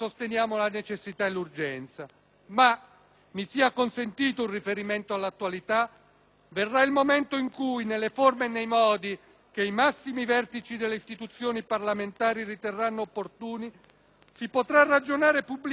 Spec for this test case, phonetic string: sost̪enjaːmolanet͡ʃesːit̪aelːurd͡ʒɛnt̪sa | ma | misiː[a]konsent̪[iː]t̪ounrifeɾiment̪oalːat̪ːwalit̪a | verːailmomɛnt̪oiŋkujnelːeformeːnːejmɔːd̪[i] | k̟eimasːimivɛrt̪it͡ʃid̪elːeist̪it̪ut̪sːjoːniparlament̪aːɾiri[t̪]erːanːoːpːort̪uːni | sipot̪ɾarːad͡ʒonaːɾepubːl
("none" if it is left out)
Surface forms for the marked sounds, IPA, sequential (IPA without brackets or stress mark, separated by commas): a, iː, i, t̪